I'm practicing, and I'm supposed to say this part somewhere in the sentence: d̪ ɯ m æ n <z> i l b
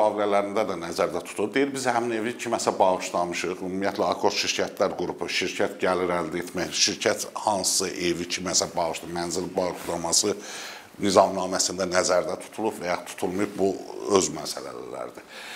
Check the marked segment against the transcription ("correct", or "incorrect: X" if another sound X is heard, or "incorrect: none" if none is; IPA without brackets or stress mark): correct